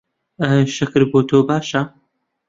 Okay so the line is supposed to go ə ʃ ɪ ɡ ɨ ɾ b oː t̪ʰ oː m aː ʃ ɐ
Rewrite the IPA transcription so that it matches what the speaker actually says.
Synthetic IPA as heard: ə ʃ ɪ k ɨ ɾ b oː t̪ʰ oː b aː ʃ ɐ